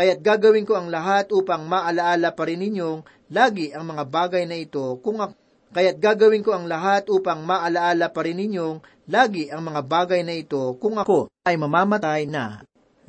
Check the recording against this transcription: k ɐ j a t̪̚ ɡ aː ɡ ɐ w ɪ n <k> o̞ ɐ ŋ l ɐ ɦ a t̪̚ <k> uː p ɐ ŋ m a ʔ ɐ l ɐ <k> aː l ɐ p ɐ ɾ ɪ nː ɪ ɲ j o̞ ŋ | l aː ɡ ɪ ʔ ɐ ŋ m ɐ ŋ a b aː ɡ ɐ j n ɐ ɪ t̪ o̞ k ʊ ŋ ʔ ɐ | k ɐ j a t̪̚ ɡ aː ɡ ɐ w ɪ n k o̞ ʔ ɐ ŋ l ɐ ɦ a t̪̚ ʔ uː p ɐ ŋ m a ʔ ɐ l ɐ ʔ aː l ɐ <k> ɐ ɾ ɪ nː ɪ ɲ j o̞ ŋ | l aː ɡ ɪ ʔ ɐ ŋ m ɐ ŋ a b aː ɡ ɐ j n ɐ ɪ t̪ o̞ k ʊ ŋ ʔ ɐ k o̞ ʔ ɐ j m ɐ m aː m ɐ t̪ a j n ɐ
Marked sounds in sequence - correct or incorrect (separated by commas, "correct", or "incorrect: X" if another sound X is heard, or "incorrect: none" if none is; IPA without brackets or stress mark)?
correct, incorrect: ʔ, incorrect: ʔ, incorrect: p